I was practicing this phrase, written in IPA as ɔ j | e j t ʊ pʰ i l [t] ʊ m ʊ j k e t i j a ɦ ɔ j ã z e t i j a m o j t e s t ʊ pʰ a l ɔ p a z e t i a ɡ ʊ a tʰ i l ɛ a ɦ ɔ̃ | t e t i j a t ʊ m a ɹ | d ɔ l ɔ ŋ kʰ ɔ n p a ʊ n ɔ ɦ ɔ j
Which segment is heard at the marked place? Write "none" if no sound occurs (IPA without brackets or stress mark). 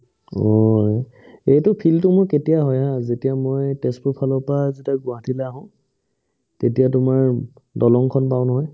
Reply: t